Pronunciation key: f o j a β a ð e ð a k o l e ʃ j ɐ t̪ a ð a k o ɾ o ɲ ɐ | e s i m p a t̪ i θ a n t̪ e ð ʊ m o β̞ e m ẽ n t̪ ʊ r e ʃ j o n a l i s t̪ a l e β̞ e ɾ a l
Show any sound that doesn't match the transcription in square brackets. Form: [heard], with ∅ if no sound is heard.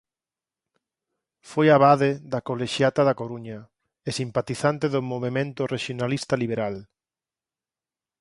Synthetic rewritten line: f o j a β a ð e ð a k o l e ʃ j [a] t̪ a ð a k o ɾ [u] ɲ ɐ | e s i m p a t̪ i θ a n t̪ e ð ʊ m o β̞ e m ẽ n t̪ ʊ r e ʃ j o n a l i s t̪ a l [i] β̞ e ɾ a l

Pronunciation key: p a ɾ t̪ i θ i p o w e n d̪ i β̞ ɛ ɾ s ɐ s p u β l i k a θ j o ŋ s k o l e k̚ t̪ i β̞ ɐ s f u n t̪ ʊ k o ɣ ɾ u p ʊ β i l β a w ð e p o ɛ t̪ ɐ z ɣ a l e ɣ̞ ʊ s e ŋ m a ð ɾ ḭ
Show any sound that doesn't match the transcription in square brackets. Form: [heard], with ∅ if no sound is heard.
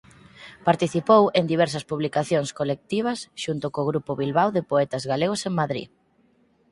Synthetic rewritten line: p a ɾ t̪ i θ i p o w e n d̪ i β̞ ɛ ɾ s ɐ s p u β l i k a θ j o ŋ s k o l e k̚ t̪ i β̞ ɐ s [ʃ] u n t̪ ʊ k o ɣ ɾ u p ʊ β i l β a w ð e p o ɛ t̪ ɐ z ɣ a l e ɣ̞ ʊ s e ŋ m a ð ɾ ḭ

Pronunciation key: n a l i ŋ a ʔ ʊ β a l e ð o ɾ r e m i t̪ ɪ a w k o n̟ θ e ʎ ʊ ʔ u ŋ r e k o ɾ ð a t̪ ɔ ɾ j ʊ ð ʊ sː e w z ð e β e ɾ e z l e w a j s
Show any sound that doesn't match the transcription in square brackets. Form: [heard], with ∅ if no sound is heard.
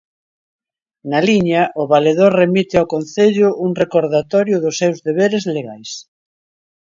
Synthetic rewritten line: n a l i [ɲ] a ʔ ʊ β a l e ð o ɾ r e m i t̪ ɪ a w k o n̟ θ e ʎ ʊ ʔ u ŋ r e k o ɾ ð a t̪ ɔ ɾ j ʊ ð ʊ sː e w z ð e β e ɾ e z l e [ɣ] a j s

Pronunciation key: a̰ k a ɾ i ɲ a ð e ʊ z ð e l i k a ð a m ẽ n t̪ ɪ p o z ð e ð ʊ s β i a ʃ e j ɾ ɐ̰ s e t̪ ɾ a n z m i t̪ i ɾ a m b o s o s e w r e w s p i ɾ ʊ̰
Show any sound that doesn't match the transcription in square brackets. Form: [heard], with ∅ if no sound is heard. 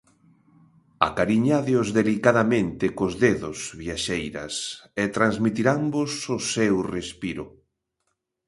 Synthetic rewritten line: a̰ k a ɾ i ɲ a ð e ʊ z ð e l i k a ð a m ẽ n t̪ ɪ [k] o z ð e ð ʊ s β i a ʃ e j ɾ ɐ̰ s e t̪ ɾ a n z m i t̪ i ɾ a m b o s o s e w r e [∅] s p i ɾ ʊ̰

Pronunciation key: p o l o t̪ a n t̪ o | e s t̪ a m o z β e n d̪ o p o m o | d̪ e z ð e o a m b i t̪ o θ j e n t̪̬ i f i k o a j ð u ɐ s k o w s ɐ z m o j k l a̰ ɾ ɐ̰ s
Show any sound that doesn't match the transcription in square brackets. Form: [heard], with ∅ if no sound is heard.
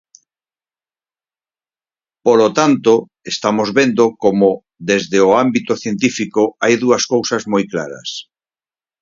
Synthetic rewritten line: p o l o t̪ a n t̪ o | e s t̪ a m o z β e n d̪ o [k] o m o | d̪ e z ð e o a m b i t̪ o θ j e n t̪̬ i f i k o a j ð u ɐ s k o w s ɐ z m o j k l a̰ ɾ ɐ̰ s

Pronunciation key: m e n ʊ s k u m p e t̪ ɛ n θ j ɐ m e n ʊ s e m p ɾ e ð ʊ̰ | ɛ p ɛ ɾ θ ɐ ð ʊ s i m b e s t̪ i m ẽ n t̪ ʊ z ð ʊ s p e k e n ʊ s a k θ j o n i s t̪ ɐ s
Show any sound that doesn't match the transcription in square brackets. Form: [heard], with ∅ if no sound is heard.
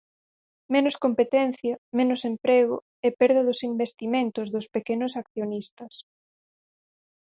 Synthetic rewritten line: m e n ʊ s k [o] m p e t̪ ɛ n θ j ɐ m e n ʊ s e m p ɾ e [ɣ] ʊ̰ | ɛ p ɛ ɾ [ð] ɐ ð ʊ s i m b e s t̪ i m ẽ n t̪ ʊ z ð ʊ s p e k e n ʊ s a k θ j o n i s t̪ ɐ s

